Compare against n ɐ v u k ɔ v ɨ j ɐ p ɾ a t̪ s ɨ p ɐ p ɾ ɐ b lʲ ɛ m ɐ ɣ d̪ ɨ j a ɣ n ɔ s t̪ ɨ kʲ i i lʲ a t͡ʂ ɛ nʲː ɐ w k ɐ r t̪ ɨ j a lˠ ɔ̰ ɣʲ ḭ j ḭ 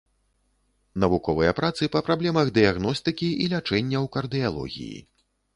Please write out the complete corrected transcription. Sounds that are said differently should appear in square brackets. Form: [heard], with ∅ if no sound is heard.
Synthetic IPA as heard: n ɐ v u k ɔ v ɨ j ɐ p ɾ a t̪ s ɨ p ɐ p ɾ [a] b lʲ ɛ m ɐ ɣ d̪ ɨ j a ɣ n ɔ s t̪ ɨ kʲ i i lʲ a t͡ʂ ɛ nʲː ɐ w k ɐ r [d̪] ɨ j a lˠ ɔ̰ ɣʲ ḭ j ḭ